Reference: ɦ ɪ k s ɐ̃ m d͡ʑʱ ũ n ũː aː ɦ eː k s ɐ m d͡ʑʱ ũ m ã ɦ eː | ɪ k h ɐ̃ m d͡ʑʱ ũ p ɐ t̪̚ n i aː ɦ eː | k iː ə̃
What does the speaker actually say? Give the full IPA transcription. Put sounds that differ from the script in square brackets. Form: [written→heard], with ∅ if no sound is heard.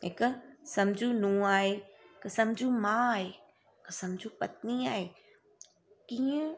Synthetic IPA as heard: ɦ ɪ k s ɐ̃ m d͡ʑʱ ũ n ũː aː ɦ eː k s ɐ m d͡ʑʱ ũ m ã ɦ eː | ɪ k [h→s] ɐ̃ m d͡ʑʱ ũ p ɐ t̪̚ n i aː ɦ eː | k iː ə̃